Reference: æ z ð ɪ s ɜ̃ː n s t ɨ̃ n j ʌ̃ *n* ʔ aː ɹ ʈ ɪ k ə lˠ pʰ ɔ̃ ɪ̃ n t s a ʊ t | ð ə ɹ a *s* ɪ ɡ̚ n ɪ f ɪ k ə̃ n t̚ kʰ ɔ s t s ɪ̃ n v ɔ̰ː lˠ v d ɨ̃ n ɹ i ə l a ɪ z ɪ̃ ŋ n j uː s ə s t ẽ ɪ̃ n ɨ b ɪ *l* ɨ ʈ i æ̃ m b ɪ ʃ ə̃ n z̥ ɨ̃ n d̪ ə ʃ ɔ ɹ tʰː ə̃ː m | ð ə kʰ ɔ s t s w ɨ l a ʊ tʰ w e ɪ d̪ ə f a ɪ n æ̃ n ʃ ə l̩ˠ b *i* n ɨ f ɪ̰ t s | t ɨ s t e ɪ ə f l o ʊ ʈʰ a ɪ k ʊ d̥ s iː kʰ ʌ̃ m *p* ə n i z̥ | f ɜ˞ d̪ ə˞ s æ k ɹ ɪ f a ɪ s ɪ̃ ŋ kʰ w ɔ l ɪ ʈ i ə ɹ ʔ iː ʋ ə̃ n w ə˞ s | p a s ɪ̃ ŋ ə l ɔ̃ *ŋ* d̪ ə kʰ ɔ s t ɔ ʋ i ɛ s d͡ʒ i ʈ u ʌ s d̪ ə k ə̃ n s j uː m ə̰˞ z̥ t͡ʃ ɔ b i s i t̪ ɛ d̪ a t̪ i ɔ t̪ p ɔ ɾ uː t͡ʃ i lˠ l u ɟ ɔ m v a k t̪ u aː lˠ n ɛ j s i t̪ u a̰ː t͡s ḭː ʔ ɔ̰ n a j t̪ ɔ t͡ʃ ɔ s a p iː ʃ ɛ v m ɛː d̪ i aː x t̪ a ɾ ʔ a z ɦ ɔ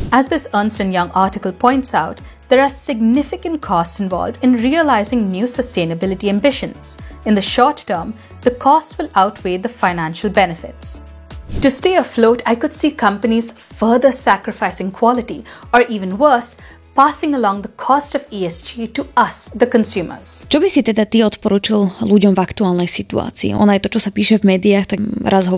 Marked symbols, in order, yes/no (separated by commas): no, yes, yes, no, yes, yes